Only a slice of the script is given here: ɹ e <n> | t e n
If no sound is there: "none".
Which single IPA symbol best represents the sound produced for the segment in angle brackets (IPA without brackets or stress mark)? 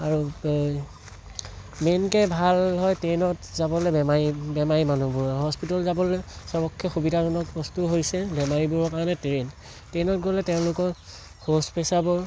n